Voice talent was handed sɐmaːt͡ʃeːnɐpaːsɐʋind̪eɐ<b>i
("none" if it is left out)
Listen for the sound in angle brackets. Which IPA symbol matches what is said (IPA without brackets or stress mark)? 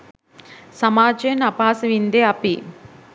p